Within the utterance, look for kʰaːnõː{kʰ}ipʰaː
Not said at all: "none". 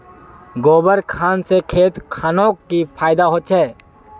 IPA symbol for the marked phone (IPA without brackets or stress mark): k